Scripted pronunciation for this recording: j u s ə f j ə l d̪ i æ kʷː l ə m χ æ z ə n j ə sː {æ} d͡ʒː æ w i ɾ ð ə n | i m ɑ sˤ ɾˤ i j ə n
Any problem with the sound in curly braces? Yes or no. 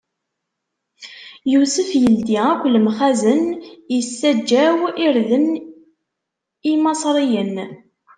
no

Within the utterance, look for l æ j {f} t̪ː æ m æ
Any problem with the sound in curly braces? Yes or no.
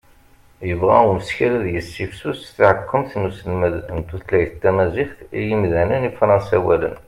yes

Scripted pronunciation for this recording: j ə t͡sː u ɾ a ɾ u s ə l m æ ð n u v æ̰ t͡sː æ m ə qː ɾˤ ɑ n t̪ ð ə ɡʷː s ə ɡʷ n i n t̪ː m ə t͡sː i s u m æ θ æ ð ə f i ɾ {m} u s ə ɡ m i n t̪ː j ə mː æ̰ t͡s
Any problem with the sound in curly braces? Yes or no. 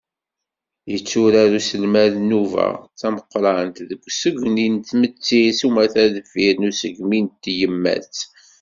yes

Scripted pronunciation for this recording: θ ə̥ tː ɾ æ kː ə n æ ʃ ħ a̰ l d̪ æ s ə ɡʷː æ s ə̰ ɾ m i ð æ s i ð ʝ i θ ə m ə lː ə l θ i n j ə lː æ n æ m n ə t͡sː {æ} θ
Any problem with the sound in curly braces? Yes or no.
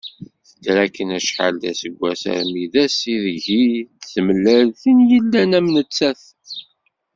no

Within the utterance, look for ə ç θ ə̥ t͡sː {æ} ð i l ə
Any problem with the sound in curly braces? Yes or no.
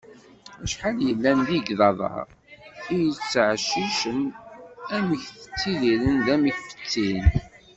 yes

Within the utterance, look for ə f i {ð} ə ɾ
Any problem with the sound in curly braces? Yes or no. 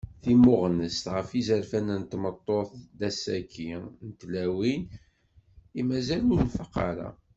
yes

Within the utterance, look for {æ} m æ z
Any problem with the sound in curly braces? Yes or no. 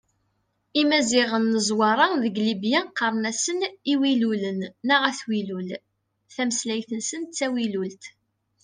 yes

